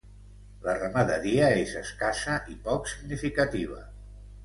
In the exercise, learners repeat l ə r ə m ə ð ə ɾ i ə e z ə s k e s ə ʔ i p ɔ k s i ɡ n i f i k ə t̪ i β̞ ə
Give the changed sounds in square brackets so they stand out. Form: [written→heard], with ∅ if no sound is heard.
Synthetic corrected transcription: l ə r ə m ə ð ə ɾ i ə e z ə s k [e→a] s ə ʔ i p ɔ k s i ɡ n i f i k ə t̪ i β̞ ə